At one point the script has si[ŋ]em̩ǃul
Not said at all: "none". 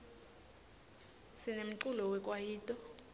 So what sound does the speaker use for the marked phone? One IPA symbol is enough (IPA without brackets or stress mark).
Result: n